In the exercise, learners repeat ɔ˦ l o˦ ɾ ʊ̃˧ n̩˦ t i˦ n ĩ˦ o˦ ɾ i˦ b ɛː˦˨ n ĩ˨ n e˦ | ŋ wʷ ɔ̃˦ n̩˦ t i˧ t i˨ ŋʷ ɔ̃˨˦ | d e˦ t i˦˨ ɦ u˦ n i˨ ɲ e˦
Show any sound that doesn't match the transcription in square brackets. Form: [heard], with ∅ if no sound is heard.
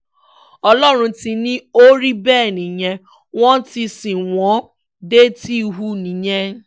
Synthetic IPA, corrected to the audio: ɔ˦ l [ɔ˦] ɾ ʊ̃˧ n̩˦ t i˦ n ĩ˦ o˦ ɾ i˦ b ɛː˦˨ n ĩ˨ [ɲ] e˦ | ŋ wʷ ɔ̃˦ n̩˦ t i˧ [s] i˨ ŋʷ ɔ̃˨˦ | d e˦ t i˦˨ ɦ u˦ n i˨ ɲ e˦